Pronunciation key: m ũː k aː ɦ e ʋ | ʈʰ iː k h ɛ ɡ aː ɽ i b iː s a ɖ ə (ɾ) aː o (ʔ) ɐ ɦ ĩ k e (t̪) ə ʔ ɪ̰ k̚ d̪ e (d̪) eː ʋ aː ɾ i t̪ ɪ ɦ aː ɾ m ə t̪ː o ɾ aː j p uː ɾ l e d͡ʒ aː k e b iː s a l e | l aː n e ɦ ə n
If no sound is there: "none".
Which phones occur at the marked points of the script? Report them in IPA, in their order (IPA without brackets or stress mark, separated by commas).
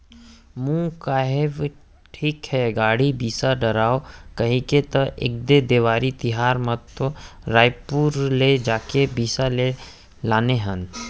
ɾ, k, t̪, d̪